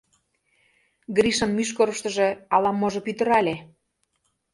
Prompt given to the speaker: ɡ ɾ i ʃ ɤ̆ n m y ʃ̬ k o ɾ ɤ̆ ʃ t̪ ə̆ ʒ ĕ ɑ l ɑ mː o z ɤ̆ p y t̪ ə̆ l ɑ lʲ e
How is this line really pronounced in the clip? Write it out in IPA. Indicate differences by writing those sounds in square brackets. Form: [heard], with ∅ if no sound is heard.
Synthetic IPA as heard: ɡ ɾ i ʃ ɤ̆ n m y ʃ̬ k o ɾ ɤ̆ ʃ t̪ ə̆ ʒ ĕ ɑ l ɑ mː o [ʒ] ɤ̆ p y t̪ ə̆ [ɾ] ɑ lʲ e